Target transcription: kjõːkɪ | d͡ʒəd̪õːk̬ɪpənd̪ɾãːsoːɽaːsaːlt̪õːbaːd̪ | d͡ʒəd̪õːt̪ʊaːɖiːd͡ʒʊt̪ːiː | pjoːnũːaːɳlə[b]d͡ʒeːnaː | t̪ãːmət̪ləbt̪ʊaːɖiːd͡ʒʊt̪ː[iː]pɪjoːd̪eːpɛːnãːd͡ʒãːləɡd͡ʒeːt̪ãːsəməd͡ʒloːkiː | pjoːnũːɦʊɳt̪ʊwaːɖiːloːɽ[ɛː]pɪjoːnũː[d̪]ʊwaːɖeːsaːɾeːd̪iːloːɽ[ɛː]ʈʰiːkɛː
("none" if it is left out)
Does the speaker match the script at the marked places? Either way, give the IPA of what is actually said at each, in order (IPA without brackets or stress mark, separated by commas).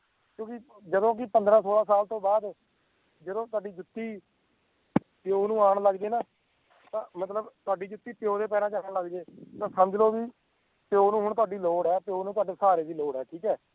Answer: ɡ, iː, ɛː, t̪, ɛː